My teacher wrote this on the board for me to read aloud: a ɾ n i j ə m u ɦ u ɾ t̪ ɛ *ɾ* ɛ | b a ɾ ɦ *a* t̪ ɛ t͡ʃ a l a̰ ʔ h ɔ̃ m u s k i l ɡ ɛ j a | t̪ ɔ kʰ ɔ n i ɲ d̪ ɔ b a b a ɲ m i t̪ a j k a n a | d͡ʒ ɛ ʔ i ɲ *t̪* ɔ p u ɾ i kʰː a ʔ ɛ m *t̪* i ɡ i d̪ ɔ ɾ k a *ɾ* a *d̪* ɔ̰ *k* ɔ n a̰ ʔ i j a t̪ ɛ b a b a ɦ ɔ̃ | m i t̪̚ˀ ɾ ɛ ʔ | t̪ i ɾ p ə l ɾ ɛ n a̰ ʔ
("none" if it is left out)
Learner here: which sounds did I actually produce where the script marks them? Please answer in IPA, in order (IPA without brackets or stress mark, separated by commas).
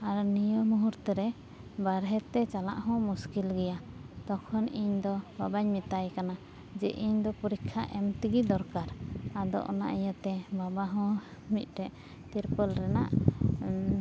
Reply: ɾ, ɛ, d̪, t̪, ɾ, d̪, ʔ